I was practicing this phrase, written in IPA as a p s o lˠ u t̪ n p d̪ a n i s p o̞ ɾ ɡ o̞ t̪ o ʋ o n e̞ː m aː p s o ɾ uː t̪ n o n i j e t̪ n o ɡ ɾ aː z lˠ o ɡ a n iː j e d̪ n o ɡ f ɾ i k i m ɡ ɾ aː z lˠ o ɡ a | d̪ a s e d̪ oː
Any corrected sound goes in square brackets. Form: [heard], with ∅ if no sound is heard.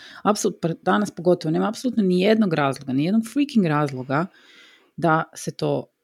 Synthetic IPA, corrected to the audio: a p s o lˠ u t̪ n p d̪ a n [a] s p o̞ [∅] ɡ o̞ t̪ o ʋ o n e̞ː m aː p s o [l] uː t̪ n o n i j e [d̪] n o ɡ ɾ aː z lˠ o ɡ a n [i] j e d̪ n o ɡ f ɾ i k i [ŋ] ɡ ɾ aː z lˠ o ɡ a | d̪ a s e [t̪] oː